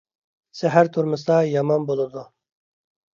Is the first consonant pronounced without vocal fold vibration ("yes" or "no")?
yes